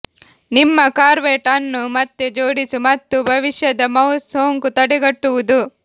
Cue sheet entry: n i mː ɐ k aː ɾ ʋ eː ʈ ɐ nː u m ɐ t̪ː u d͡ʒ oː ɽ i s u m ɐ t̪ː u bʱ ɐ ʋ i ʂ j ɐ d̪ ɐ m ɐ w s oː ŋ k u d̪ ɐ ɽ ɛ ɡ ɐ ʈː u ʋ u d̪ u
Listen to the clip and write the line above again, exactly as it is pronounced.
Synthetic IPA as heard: n i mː ɐ k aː ɾ ʋ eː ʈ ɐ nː u m ɐ t̪ː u d͡ʒ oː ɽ i s u m ɐ t̪ː u bʱ ɐ ʋ i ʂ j ɐ d̪ ɐ m ɐ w s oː ŋ k u t̪ ɐ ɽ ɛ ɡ ɐ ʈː u ʋ u d̪ u